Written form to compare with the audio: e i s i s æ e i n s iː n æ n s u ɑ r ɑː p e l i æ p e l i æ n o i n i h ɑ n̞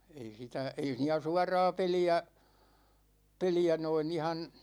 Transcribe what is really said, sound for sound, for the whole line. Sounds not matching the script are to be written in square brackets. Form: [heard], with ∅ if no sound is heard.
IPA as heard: e i s i [t] æ e i [∅] s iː n æ [∅] s u ɑ r ɑː p e l i æ p e l i æ n o i n i h ɑ n̞